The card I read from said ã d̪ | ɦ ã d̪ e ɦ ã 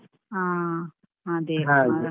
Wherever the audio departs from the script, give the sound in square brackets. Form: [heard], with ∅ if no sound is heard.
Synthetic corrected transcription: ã [∅] | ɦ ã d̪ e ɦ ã